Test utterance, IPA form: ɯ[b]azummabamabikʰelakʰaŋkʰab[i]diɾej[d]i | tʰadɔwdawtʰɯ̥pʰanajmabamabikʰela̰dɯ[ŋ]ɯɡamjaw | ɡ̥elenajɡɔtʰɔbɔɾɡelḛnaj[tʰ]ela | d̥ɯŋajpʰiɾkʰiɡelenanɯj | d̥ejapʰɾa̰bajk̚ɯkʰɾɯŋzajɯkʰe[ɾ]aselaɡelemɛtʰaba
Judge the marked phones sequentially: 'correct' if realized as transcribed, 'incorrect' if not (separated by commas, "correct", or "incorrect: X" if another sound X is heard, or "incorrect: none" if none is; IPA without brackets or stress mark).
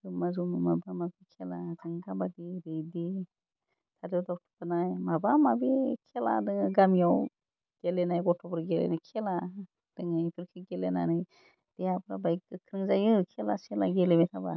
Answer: incorrect: m, incorrect: a, correct, correct, incorrect: kʰ, incorrect: l